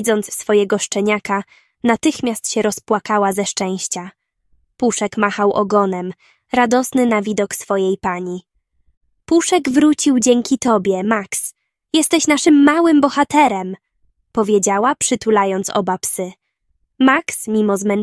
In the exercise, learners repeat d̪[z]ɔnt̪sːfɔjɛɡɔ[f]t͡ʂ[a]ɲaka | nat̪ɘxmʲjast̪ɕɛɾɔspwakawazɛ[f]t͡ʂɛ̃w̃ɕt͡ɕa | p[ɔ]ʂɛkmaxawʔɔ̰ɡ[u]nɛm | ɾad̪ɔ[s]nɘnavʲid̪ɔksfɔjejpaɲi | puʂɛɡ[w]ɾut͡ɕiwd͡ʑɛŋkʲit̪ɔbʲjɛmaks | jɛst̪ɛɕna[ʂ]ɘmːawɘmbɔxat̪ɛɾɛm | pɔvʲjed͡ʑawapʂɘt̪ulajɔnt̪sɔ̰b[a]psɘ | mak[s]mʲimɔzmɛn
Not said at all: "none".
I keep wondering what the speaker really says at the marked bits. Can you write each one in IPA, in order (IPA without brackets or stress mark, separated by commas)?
z, ʂ, ɛ, ʂ, u, ɔ, s, v, ʂ, a, s